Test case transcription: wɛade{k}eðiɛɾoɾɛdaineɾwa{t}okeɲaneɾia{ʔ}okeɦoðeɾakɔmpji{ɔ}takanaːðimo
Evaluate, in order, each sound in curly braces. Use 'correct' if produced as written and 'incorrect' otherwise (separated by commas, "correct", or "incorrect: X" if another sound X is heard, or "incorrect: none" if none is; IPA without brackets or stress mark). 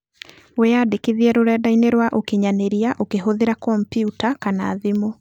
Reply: correct, incorrect: ʔ, correct, incorrect: u